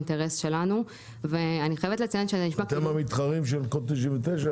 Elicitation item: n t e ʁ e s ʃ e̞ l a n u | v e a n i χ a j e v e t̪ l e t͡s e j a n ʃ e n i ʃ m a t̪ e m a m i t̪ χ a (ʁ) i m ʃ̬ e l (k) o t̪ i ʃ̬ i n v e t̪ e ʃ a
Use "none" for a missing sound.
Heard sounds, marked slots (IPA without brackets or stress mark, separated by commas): ʁ, k